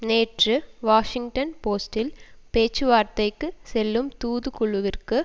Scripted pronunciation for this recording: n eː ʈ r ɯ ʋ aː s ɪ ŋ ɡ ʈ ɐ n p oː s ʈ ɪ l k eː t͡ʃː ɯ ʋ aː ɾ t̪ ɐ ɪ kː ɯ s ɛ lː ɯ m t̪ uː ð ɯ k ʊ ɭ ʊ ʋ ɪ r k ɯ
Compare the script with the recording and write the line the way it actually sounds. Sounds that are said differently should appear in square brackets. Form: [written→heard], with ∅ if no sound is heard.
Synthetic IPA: n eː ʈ r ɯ ʋ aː [s→ʂ] ɪ ŋ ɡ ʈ ɐ n p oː s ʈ ɪ l [k→p] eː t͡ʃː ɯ ʋ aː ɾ t̪ ɐ ɪ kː ɯ s ɛ lː ɯ m t̪ uː ð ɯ k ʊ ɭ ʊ ʋ ɪ r k ɯ